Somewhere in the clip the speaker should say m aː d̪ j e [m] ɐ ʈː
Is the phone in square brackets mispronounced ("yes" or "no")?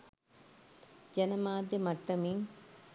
no